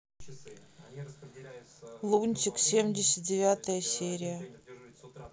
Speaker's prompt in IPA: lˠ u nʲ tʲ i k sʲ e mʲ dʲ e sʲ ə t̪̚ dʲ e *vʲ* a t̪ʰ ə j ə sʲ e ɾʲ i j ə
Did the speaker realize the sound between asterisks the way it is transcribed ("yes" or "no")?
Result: yes